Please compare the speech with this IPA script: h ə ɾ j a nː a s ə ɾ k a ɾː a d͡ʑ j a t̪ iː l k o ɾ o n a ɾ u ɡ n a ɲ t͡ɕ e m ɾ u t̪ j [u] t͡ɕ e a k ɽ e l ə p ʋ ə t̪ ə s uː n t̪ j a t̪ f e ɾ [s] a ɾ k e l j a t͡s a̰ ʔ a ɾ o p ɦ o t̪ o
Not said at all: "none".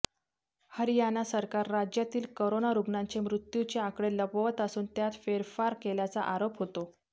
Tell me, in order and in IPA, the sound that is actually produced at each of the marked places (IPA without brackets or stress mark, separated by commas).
u, f